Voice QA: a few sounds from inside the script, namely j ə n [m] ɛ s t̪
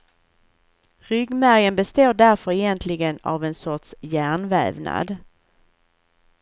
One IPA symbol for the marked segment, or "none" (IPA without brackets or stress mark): b